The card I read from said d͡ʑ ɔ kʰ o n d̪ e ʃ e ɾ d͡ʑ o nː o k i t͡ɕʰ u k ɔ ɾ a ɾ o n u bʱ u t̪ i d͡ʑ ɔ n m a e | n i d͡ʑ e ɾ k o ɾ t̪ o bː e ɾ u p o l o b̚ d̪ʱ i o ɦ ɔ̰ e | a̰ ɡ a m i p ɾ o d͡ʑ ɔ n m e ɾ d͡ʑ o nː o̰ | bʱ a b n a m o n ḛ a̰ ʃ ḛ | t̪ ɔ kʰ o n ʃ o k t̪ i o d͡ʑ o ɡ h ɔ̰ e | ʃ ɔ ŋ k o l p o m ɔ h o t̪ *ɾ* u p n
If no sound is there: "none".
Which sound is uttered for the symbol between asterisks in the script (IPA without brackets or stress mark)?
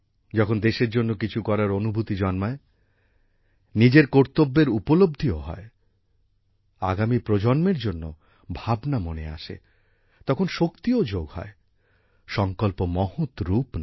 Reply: ɾ